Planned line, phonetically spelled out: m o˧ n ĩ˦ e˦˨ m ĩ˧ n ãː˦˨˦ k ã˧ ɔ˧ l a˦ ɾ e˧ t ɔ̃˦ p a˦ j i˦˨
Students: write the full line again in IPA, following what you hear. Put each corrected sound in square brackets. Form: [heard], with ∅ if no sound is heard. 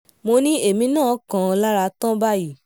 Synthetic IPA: m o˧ n ĩ˦ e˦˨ m ĩ˧ n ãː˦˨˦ k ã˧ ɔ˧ l a˦ ɾ [a˧] t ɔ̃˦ [b] a˦ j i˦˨